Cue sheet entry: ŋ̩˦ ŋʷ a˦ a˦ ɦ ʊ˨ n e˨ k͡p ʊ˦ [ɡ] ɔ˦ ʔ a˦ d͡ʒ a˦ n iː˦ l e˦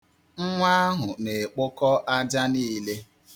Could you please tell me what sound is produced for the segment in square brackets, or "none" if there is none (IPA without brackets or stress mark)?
k